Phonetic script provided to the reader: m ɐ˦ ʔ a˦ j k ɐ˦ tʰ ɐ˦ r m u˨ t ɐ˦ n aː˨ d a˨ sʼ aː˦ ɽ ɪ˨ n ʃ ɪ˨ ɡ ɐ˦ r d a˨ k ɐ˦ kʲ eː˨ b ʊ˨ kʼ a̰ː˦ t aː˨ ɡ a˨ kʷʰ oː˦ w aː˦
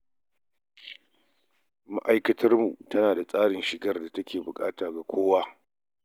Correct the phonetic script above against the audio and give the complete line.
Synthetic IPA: m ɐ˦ ʔ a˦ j k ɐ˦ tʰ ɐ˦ r m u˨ t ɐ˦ n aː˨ d a˨ sʼ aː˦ ɽ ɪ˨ n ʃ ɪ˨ ɡ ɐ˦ r d a˨ t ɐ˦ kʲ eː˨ b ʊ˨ kʼ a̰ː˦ t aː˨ ɡ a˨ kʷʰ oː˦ w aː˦